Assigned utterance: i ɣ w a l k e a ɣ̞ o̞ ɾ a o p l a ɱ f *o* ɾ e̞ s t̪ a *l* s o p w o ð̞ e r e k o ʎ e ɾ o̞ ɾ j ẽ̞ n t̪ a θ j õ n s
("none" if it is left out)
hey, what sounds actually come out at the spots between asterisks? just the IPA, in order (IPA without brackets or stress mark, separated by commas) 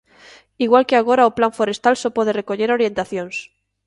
o, l